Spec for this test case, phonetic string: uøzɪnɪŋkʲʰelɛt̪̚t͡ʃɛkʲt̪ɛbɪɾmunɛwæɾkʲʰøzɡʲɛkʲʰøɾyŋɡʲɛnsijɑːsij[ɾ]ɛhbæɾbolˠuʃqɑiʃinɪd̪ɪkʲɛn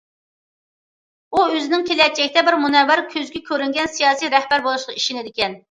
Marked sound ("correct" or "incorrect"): correct